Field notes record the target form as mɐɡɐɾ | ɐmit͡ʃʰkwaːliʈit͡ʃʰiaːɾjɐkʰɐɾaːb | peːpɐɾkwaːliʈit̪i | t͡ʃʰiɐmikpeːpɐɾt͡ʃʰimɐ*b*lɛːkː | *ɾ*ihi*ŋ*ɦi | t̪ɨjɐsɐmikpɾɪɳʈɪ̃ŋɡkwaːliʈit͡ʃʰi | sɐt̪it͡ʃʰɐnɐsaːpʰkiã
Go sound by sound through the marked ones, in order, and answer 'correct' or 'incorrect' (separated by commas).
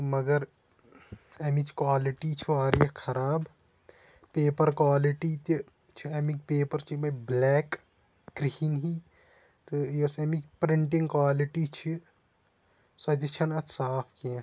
correct, correct, incorrect